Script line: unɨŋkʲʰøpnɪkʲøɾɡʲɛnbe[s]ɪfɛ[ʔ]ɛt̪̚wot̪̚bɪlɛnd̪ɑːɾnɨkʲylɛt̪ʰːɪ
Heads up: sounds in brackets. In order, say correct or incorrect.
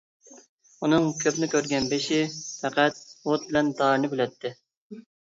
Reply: incorrect: ʃ, incorrect: q

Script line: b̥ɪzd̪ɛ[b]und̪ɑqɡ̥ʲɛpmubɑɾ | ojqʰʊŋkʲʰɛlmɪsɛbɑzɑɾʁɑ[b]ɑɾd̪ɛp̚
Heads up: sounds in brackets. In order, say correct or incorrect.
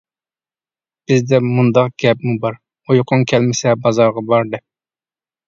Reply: incorrect: m, correct

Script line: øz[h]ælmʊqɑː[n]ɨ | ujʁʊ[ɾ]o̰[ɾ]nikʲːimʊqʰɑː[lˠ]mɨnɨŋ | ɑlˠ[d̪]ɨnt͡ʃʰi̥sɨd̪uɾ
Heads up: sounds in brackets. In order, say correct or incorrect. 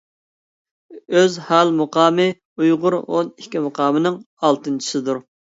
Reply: correct, incorrect: m, correct, incorrect: none, incorrect: none, incorrect: t̪

